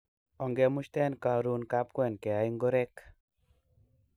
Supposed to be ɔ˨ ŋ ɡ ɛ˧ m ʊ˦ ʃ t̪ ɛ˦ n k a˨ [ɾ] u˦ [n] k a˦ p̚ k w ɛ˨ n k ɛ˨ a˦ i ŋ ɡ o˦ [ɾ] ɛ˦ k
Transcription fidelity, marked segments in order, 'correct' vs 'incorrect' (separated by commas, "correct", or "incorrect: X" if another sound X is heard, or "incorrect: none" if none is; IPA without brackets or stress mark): correct, correct, correct